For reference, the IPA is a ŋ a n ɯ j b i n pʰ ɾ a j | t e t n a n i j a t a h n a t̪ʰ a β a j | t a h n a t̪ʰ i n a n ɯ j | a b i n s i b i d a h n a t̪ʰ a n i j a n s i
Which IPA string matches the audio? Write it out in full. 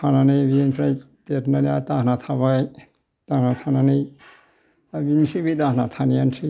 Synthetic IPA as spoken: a n a n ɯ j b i n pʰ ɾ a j | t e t n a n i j a t a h n a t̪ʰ a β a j | t a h n a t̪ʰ a n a n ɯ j | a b i n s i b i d a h n a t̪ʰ a n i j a n s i